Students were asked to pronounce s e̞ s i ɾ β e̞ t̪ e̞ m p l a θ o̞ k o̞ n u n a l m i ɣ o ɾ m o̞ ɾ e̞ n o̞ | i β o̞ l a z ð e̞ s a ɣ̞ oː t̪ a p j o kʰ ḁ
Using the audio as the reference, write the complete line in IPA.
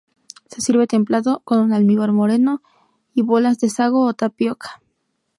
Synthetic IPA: s e̞ s i ɾ β e̞ t̪ e̞ m p l a ð o̞ k o̞ n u n a l m i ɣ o ɾ m o̞ ɾ e̞ n o̞ | i β o̞ l a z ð e̞ s a ɣ̞ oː t̪ a p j o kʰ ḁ